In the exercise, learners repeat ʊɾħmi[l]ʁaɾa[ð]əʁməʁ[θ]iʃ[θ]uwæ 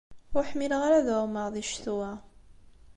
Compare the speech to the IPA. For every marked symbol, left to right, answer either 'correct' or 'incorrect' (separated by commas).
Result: correct, correct, incorrect, correct